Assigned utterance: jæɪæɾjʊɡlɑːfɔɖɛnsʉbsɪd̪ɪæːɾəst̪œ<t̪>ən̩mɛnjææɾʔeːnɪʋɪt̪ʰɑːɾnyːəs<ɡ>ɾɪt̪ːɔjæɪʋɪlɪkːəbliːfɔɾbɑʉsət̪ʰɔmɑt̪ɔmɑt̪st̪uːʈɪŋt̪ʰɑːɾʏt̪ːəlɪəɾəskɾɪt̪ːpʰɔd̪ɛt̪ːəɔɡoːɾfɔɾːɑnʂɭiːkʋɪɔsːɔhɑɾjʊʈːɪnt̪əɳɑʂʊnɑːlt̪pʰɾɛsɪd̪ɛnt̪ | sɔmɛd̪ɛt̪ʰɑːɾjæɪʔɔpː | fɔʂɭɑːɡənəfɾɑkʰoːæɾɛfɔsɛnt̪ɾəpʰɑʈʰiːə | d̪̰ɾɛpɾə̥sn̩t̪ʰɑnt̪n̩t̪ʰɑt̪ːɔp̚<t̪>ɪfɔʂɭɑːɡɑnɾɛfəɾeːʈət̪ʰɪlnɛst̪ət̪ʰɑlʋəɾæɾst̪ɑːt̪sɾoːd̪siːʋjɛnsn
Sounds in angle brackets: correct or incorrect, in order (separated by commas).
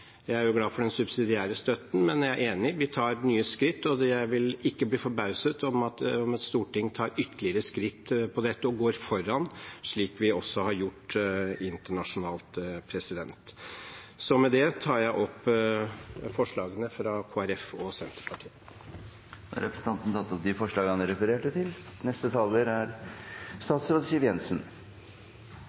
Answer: correct, incorrect, incorrect